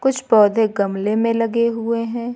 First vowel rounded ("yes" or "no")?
yes